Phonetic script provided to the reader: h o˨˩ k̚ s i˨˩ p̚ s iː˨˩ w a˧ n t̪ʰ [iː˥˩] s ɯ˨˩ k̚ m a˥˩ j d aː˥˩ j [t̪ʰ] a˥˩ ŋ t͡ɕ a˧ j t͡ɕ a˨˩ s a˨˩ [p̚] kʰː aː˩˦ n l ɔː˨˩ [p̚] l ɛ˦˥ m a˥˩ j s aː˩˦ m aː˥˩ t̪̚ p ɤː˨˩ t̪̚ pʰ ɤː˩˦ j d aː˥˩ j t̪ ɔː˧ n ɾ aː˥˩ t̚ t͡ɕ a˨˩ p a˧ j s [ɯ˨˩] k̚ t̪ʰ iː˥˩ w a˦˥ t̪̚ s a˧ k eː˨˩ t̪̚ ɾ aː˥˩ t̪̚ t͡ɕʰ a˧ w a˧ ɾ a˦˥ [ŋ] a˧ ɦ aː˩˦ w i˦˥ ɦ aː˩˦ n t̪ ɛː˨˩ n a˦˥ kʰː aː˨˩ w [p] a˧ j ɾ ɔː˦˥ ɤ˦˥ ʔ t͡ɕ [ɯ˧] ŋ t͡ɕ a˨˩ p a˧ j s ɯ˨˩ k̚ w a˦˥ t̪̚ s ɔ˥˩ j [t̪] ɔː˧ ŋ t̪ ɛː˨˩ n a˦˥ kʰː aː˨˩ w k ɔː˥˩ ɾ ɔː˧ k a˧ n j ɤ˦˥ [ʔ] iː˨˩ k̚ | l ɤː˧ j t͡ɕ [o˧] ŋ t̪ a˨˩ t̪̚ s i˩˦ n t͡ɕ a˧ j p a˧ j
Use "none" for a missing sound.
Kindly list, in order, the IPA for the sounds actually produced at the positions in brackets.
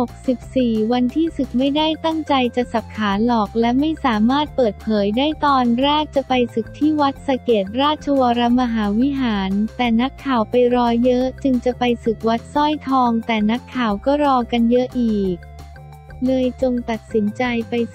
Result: iː˥˩, t̪, p̚, k̚, ɯ˨˩, m, p, ɯ˧, t̪ʰ, ʔ, o˧

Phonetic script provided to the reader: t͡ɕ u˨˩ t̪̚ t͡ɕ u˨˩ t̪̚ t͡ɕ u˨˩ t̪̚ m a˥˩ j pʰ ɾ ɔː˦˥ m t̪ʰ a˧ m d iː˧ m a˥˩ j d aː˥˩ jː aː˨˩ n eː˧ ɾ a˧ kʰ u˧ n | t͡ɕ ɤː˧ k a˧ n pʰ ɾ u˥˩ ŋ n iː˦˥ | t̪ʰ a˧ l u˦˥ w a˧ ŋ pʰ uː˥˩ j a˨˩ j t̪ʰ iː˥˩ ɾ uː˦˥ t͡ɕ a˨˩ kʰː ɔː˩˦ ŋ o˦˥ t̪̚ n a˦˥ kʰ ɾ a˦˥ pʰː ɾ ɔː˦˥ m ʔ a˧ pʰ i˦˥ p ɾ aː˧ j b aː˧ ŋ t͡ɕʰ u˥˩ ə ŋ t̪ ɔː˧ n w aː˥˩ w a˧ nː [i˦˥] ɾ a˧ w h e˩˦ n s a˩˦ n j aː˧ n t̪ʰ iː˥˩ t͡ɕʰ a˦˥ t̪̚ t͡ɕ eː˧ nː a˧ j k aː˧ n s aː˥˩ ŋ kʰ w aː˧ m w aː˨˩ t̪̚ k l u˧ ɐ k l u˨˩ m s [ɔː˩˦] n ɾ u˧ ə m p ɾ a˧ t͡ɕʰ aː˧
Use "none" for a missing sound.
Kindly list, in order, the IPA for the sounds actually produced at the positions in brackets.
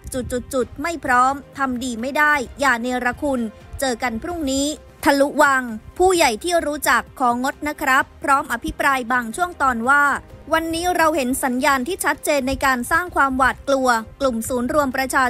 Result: iː˦˥, uː˩˦

